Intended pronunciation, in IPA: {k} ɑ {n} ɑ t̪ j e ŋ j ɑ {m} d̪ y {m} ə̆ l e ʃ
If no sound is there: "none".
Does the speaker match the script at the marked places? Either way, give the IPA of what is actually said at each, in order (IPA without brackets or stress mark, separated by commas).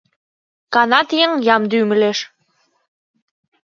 k, n, m, m